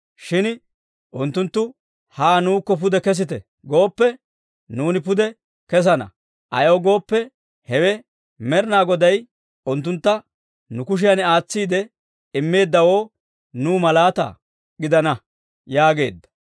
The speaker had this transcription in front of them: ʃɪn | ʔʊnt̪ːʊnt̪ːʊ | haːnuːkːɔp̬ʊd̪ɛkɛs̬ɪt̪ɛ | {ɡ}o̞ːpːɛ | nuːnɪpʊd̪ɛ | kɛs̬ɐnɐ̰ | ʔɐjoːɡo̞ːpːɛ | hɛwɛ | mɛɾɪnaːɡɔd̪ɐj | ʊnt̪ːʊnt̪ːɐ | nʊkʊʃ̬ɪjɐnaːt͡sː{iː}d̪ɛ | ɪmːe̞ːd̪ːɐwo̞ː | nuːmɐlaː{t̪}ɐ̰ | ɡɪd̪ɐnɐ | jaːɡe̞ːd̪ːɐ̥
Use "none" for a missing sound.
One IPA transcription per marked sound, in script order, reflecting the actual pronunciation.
ɡ, iː, t̪

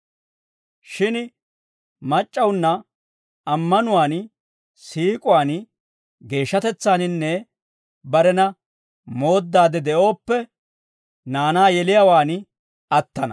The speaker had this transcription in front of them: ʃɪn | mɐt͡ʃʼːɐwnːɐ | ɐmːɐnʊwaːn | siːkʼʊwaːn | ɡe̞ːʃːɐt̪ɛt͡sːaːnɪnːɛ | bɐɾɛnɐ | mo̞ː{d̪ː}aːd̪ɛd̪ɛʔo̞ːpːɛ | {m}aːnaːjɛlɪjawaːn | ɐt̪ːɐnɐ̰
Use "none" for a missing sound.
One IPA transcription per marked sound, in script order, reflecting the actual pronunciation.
d̪ː, n

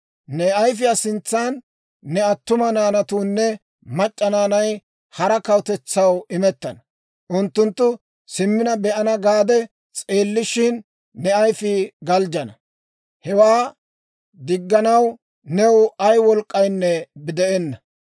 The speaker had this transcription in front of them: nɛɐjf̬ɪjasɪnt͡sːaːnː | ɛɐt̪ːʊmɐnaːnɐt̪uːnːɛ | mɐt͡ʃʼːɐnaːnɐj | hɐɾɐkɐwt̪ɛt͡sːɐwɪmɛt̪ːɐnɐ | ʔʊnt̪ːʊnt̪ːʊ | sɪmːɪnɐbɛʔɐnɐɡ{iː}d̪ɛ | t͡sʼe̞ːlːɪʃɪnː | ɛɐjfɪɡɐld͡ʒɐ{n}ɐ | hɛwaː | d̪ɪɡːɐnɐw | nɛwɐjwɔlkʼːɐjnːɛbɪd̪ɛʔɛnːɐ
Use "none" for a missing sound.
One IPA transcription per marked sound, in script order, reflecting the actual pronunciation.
aː, n

